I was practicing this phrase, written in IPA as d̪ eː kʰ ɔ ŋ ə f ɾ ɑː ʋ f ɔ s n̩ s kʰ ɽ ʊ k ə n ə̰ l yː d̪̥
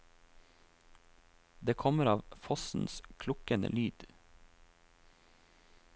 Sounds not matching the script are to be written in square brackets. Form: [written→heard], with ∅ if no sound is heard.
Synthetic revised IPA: d̪ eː kʰ ɔ [ŋ→m] ə [f→∅] ɾ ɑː ʋ f ɔ s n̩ s kʰ [ɽ→l] ʊ k ə n ə̰ l yː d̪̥